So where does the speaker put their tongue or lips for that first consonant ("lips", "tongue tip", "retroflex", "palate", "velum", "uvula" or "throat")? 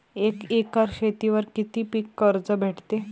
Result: velum